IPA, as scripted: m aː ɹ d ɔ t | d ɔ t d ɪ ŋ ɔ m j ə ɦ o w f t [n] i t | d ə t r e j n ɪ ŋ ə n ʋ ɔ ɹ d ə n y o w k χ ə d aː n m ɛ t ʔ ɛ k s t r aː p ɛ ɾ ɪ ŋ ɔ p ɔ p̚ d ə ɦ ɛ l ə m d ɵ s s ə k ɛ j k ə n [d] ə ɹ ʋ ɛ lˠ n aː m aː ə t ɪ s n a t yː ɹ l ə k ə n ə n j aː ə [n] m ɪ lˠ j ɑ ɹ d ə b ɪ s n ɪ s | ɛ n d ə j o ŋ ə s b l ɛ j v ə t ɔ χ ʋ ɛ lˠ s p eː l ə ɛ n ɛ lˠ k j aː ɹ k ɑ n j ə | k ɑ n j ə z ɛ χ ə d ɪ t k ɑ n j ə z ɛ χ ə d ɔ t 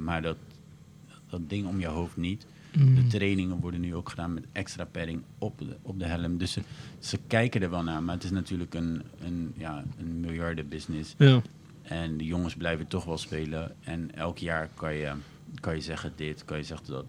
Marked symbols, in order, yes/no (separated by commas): yes, yes, yes